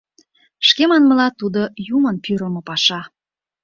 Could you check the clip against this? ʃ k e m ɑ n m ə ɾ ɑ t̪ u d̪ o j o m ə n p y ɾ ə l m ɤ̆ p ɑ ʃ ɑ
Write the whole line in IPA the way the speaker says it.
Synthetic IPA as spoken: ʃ k e m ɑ n m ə l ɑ t̪ u d̪ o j u m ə n p y ɾ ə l m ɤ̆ p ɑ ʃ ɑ